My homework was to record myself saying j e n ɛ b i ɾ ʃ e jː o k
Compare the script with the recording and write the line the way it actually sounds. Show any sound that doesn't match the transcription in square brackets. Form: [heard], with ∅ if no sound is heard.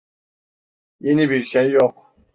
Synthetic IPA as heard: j e n [i] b i ɾ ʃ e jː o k